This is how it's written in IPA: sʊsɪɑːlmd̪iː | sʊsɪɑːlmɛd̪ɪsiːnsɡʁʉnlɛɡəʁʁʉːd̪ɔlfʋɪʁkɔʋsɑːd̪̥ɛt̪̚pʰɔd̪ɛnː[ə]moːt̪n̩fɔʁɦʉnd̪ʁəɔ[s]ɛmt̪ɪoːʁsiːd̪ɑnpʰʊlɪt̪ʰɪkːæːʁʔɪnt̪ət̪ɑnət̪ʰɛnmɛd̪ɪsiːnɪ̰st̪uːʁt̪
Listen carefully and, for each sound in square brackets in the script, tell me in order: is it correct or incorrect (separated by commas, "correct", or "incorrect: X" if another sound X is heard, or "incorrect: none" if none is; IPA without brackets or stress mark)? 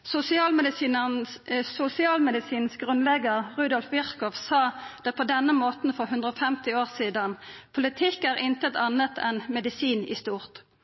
correct, incorrect: f